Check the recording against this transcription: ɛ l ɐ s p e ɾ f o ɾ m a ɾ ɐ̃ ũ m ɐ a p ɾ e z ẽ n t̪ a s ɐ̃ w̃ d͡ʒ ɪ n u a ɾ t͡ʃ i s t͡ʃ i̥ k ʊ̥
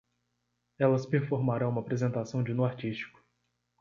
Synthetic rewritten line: ɛ l ɐ s p e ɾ f o ɾ m a ɾ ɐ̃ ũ m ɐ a p ɾ e z ẽ n t̪ a s ɐ̃ w̃ d͡ʒ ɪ n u a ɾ t͡ʃ i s t͡ʃ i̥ k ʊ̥